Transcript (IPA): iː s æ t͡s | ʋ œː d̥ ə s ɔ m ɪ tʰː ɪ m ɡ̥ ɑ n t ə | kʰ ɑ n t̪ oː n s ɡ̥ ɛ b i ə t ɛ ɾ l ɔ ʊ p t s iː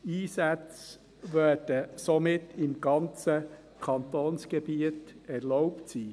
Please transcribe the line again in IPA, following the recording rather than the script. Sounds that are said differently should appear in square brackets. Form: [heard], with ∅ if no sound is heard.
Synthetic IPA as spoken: iː s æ t͡s | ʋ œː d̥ ə s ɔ m ɪ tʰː ɪ m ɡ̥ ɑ n [t͡s] ə | kʰ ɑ n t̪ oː n s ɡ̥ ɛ b i ə t ɛ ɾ l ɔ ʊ p t s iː